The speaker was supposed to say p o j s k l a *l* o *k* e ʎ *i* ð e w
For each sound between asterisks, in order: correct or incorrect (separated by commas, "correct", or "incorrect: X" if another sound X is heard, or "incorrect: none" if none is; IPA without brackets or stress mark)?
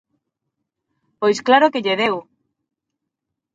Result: incorrect: ɾ, correct, incorrect: e